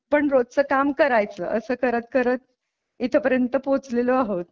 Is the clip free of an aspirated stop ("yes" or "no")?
no